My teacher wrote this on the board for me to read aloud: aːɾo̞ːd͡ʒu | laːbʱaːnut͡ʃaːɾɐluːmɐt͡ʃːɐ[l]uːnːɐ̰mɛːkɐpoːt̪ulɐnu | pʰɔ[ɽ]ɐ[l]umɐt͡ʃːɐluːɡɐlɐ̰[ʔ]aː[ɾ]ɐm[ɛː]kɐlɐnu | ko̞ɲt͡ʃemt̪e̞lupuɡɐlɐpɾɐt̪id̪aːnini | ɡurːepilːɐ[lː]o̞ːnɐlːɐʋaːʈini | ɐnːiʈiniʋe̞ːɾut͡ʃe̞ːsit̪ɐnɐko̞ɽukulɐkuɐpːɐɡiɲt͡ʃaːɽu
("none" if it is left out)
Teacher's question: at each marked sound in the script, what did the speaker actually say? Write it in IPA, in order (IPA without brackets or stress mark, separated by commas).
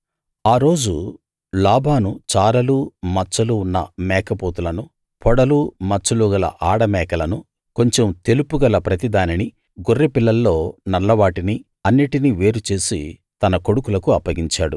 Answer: l, ɽ, l, ʔ, ɽ, ɛː, lː